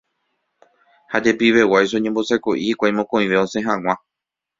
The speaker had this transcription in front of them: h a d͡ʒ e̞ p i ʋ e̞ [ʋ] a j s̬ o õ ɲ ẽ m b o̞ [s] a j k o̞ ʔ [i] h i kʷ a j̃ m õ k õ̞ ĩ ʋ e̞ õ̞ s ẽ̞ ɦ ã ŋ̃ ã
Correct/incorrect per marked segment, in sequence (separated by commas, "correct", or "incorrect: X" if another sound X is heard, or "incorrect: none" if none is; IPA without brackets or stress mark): incorrect: w, correct, correct